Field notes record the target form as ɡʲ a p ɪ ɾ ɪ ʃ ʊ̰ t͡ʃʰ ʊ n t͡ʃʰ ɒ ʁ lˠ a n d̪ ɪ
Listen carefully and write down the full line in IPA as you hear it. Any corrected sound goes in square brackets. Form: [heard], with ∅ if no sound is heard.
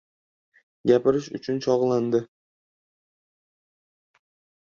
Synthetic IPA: ɡʲ a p ɪ ɾ ɪ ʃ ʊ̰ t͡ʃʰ ʊ n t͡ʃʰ ɒ ʁ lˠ a n d̪ ɪ